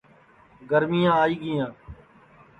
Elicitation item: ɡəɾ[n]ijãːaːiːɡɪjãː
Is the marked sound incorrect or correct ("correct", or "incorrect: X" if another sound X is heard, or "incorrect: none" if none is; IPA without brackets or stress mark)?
incorrect: m